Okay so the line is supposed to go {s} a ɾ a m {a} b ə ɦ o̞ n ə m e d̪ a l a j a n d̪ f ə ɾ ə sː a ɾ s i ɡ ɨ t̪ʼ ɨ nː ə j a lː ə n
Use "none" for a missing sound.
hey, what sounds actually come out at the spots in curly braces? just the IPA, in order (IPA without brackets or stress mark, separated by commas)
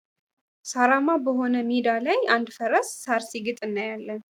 s, a